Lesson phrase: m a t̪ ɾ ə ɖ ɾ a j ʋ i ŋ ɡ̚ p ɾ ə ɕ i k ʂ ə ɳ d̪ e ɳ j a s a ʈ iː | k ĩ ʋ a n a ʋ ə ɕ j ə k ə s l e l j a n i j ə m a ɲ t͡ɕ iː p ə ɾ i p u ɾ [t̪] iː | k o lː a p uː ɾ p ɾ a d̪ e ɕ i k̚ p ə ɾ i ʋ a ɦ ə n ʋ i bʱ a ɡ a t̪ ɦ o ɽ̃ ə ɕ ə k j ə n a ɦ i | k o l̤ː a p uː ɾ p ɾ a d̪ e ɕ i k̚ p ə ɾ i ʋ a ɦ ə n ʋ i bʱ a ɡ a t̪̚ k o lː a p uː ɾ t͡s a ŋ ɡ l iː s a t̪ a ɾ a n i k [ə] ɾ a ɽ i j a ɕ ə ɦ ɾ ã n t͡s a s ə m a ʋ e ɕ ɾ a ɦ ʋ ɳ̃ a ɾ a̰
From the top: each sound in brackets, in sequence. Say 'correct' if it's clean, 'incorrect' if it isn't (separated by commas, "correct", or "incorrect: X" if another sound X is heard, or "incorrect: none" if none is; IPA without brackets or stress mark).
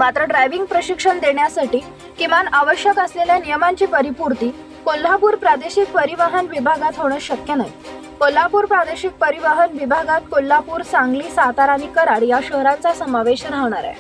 correct, correct